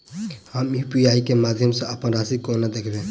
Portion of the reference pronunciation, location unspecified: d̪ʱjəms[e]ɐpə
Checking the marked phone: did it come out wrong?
no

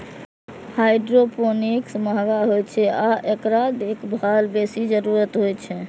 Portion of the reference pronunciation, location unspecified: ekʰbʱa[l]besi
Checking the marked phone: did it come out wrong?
no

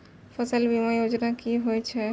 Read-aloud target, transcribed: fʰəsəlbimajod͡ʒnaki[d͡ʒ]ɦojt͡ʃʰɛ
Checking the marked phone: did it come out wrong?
yes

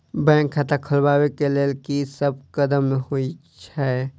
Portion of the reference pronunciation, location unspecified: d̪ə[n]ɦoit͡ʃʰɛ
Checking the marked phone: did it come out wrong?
yes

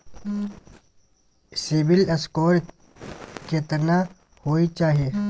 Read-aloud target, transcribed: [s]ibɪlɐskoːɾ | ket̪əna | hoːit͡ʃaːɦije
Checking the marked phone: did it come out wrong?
no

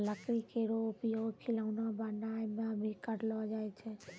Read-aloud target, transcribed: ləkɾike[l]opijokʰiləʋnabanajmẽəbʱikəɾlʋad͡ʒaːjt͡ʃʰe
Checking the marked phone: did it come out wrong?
yes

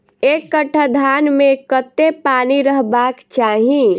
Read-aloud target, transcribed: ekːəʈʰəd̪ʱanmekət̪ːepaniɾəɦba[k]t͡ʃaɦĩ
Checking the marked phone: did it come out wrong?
no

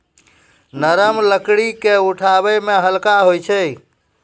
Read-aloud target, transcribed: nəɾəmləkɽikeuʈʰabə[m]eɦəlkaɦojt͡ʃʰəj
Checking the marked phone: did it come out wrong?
no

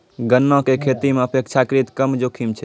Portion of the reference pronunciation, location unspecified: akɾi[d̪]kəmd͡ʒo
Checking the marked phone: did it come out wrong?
yes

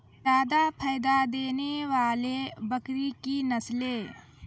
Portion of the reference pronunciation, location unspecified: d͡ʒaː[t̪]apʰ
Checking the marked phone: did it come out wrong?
yes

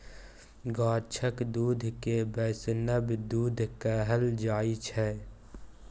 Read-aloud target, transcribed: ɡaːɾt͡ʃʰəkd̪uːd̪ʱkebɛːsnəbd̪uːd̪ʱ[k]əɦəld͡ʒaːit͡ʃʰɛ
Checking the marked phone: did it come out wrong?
no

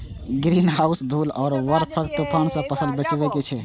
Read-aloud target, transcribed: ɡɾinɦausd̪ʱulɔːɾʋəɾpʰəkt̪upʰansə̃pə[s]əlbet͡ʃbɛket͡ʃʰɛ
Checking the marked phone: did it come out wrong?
no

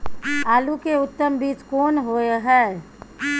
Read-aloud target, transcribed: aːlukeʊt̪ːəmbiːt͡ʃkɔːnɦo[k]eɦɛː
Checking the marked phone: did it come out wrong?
yes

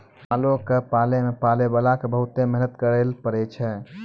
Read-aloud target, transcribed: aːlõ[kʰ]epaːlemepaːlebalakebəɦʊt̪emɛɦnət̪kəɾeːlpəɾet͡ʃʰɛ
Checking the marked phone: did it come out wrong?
yes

